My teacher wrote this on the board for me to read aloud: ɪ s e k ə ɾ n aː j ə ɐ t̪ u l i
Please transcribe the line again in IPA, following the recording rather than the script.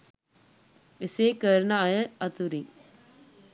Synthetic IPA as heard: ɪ s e k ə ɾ n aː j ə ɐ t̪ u ɾ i